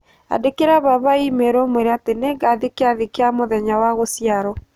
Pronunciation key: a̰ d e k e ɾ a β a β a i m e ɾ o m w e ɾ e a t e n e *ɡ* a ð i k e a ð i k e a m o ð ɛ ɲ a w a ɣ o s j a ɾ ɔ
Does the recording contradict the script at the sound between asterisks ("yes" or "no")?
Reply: no